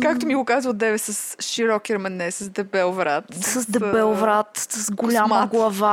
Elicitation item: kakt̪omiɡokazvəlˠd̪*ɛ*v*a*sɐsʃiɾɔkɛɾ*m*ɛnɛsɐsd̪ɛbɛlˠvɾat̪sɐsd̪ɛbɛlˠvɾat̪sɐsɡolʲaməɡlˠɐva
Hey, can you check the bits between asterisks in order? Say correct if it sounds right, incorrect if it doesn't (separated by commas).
correct, incorrect, correct